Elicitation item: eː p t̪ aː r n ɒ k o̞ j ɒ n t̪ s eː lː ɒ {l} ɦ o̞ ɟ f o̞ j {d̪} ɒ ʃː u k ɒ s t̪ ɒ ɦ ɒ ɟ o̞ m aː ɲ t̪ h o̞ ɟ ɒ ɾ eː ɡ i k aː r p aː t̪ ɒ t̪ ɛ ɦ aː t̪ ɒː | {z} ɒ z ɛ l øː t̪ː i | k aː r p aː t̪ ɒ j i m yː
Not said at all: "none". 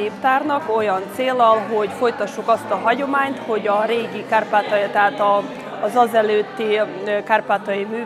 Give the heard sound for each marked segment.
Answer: l, t̪, z

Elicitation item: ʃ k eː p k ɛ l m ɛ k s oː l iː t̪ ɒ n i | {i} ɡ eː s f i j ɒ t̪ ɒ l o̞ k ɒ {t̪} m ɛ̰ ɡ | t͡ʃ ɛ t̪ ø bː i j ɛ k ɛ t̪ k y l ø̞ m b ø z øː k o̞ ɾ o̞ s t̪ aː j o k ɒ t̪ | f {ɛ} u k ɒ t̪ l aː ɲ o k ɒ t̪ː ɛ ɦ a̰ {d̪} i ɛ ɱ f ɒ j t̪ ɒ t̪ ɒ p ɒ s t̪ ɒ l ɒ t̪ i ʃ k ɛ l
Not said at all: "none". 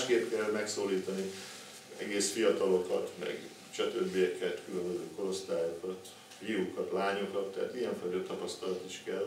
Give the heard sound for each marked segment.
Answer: ɛ, t̪, i, t̪

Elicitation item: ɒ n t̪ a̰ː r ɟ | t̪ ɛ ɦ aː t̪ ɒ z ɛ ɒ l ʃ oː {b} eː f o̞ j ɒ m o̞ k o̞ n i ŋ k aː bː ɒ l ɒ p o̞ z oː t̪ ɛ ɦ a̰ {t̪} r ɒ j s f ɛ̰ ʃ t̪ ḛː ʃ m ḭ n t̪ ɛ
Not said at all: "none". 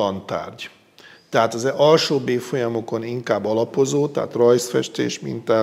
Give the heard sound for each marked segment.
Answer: b, t̪

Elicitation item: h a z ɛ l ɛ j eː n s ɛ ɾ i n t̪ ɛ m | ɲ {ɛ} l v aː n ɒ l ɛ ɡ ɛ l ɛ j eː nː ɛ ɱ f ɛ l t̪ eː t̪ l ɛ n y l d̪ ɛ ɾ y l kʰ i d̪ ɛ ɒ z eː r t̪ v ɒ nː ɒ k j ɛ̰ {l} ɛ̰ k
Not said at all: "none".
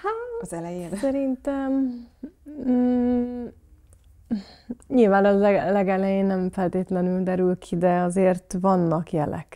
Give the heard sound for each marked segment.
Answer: i, l

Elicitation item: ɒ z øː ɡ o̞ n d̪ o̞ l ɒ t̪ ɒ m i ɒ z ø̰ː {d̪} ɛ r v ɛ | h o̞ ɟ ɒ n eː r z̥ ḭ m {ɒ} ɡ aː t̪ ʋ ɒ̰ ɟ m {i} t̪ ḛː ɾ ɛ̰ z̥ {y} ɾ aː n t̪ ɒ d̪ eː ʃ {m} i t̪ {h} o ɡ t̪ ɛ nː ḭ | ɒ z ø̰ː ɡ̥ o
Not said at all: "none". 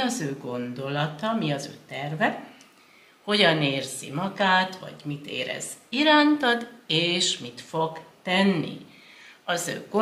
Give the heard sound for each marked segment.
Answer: t̪, ɒ, i, i, m, f

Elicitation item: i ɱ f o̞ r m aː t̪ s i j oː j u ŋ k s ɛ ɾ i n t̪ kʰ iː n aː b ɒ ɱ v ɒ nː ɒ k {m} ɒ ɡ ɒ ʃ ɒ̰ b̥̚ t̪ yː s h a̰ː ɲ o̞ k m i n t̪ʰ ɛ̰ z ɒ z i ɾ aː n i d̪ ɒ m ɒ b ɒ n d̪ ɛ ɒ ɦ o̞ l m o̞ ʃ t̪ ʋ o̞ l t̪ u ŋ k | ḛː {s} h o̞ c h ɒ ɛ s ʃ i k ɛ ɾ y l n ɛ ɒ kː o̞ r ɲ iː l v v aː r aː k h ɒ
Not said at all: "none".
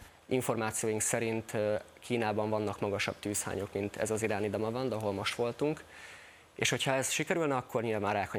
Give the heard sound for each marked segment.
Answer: m, ʃ

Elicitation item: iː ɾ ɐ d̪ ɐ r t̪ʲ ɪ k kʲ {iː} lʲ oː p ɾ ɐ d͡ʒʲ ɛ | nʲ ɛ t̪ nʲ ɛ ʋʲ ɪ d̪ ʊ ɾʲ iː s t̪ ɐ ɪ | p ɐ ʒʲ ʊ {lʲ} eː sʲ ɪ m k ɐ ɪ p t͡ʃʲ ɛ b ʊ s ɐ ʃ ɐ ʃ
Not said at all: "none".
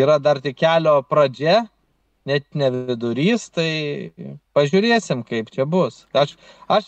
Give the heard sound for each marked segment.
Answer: æː, ɾʲ

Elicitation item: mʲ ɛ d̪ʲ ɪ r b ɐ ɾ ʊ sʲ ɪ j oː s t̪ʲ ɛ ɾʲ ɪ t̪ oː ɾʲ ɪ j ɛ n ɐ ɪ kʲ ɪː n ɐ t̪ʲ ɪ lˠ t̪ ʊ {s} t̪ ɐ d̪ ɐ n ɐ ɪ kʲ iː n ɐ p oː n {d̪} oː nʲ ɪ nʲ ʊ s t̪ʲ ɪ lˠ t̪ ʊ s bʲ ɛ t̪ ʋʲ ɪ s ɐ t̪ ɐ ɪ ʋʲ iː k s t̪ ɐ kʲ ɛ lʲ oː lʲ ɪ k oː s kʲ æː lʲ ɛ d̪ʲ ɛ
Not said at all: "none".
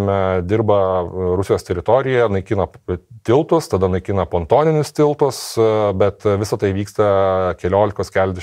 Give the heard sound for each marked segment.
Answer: s, t̪

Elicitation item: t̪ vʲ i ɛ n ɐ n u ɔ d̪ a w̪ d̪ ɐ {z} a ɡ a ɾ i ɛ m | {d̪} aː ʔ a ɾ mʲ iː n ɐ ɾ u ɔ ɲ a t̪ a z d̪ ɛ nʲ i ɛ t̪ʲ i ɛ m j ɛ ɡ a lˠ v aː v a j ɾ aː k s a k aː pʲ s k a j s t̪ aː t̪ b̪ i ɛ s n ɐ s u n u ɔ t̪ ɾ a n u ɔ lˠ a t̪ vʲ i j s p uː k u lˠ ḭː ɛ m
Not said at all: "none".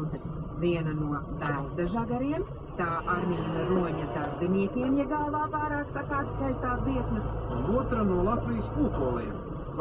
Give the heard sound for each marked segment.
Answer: ʒ, t̪

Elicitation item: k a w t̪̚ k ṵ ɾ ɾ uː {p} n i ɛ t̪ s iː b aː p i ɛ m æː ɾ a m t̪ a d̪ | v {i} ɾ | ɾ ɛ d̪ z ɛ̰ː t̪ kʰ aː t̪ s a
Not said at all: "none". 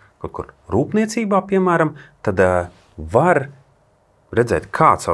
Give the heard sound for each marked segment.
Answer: p, a

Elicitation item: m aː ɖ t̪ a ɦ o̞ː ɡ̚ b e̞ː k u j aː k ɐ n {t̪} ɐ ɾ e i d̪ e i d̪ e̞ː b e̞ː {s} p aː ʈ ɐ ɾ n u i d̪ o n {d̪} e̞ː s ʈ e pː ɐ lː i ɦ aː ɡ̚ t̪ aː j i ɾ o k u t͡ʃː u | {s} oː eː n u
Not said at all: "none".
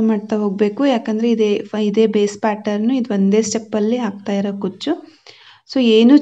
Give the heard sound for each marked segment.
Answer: d̪, s, d̪, s

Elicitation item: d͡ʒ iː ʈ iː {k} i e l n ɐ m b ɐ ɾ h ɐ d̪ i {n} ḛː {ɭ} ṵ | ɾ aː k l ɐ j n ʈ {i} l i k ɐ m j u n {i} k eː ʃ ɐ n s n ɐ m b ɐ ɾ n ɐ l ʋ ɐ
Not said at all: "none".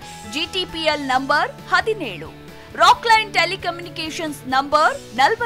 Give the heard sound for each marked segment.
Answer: p, n, ɭ, e, i

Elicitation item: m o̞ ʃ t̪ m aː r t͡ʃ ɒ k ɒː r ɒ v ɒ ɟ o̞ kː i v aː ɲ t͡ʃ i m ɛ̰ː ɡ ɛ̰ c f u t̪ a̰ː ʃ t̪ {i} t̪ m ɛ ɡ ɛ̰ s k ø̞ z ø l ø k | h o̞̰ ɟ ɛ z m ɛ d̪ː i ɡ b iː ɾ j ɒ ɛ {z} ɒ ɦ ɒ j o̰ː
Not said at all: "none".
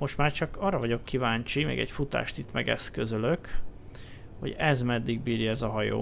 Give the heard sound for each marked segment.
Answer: i, z

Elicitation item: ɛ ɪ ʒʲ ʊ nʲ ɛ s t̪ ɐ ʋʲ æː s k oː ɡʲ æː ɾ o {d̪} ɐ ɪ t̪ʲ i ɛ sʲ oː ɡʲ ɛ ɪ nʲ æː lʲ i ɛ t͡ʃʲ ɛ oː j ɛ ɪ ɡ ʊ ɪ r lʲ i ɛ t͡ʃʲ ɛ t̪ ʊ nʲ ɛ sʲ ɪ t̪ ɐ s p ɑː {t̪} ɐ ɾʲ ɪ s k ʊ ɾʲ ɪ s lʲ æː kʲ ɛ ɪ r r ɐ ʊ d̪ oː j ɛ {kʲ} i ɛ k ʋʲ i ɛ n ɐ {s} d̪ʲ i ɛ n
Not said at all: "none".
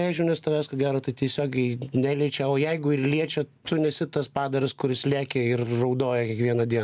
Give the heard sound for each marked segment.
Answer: t̪, d̪, kʲ, none

